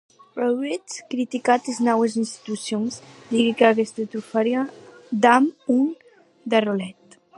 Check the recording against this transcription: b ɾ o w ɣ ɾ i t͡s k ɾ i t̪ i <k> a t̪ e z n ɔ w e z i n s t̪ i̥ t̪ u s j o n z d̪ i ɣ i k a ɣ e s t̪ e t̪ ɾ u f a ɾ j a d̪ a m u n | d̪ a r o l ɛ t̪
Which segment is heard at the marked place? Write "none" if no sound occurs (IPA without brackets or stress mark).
k